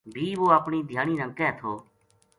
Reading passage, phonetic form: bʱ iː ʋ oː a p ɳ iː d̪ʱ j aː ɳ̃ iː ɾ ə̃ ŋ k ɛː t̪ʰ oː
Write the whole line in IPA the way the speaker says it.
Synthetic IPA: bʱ iː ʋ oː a p ɳ iː d̪ʱ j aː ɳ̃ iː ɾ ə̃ ŋ k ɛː t̪ʰ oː